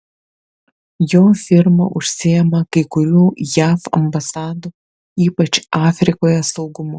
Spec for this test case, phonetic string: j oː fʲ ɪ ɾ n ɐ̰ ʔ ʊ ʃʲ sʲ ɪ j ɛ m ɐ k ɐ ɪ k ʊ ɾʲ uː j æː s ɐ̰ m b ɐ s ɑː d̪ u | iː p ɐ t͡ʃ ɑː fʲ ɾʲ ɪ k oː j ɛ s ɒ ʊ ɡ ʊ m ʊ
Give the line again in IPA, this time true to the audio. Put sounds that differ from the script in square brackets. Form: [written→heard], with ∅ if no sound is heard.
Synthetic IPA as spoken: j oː fʲ ɪ ɾ [n→m] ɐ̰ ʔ ʊ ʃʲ sʲ ɪ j ɛ m ɐ k ɐ ɪ k ʊ ɾʲ uː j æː [s→f] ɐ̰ m b ɐ s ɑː d̪ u | iː p ɐ t͡ʃ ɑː fʲ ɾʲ ɪ k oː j ɛ s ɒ ʊ ɡ ʊ m ʊ